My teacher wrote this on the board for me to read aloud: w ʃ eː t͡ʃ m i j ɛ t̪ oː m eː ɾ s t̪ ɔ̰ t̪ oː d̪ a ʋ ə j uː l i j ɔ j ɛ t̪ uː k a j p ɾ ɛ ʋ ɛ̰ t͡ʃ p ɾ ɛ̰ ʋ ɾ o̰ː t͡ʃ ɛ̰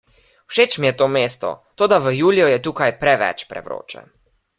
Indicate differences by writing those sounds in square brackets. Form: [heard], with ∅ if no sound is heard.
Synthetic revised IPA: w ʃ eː t͡ʃ m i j ɛ t̪ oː m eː [∅] s t̪ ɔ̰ t̪ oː d̪ a ʋ ə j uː l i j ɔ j ɛ t̪ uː k a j p ɾ ɛ ʋ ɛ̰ t͡ʃ p ɾ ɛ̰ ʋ ɾ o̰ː t͡ʃ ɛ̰